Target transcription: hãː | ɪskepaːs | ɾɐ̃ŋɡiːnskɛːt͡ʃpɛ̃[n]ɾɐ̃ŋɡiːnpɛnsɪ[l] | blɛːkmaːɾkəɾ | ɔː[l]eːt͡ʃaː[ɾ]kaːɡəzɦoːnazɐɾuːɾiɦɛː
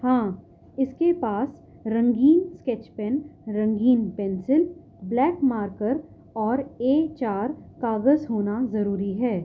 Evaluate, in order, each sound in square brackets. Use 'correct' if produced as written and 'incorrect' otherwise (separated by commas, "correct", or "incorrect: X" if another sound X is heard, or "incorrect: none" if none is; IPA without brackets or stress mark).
correct, correct, incorrect: ɾ, correct